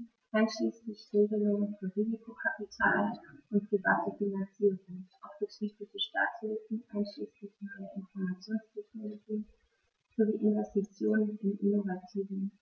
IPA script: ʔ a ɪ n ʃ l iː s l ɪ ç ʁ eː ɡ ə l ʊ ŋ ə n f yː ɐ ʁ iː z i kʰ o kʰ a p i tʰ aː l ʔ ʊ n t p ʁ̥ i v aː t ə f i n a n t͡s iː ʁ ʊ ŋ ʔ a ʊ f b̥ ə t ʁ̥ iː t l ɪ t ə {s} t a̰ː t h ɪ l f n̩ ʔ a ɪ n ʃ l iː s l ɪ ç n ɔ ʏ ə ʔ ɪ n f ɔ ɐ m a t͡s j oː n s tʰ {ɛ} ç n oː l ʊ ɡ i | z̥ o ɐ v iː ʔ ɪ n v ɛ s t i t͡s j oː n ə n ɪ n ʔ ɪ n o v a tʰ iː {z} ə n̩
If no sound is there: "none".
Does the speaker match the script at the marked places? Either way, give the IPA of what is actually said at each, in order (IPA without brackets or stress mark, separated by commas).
ʃ, ɛ, v